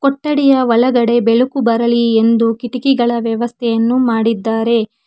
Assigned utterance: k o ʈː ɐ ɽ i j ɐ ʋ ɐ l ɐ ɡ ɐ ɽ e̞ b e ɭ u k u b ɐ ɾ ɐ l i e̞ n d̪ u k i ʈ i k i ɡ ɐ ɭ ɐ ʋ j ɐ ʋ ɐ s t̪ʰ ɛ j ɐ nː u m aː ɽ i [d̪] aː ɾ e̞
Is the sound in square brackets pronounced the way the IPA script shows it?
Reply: no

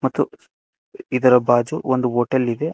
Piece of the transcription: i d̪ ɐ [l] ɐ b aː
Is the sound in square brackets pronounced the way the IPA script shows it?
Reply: no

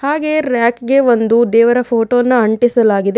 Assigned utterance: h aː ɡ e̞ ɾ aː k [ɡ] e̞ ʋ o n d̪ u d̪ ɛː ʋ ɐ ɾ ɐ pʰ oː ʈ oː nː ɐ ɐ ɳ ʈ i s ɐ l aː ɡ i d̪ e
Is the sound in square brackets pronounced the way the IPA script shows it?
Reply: yes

